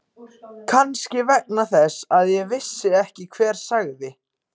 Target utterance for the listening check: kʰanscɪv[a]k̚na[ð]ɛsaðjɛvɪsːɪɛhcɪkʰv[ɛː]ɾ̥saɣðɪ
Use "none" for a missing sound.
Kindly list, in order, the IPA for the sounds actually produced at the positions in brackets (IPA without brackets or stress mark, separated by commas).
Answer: ɛ, θ, ɛː